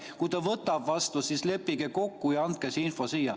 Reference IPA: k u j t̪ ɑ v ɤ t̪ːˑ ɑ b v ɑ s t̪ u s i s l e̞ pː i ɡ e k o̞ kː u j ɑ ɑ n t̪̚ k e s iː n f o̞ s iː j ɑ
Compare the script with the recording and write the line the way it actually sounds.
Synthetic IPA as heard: k u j t̪ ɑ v ɤ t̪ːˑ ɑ b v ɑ s t̪ u s i s l e̞ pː i ɡ e k o̞ kː u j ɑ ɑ n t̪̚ k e s i n f o̞ s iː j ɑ